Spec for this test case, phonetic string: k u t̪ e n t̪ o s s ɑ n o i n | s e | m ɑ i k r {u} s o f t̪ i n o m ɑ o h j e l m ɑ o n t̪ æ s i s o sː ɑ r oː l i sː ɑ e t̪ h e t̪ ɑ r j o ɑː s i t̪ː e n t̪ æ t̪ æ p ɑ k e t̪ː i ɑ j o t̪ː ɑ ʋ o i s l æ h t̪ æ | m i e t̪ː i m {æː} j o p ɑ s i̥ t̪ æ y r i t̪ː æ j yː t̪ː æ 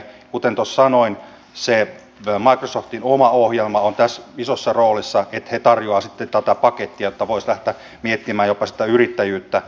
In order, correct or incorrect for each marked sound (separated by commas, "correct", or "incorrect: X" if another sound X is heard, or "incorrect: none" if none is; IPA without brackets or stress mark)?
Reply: incorrect: o, correct